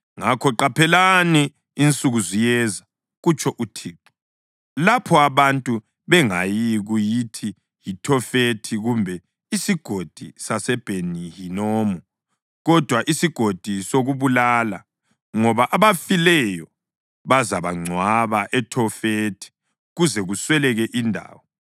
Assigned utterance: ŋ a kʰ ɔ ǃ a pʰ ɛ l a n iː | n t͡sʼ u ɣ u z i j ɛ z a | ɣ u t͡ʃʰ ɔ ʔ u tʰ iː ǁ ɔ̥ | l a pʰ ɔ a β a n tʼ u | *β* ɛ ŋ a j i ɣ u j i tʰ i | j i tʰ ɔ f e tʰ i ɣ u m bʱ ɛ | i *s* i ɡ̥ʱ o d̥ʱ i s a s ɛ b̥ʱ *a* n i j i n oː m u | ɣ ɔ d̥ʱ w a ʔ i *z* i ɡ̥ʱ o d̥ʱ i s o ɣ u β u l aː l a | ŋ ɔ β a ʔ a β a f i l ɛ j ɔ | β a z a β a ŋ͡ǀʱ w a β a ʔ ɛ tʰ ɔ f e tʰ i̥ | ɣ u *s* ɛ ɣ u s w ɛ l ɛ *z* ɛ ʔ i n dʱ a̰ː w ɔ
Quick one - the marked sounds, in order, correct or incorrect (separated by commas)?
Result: correct, correct, incorrect, incorrect, incorrect, incorrect